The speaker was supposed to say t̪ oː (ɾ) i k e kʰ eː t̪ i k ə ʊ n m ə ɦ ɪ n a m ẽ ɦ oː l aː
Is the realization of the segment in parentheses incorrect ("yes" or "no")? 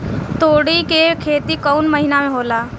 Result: yes